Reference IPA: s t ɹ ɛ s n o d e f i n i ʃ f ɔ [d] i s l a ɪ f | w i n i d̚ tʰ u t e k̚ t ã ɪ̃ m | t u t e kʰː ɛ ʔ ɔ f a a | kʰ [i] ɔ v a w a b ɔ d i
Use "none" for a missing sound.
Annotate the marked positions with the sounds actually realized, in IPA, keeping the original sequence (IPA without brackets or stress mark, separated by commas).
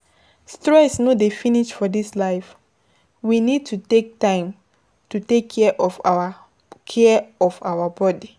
d, ɛ